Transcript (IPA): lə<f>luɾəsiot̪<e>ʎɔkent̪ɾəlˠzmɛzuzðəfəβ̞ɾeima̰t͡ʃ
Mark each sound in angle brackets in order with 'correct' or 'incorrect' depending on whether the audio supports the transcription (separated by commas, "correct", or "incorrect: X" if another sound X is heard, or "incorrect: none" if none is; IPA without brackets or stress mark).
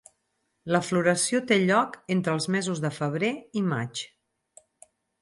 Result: correct, correct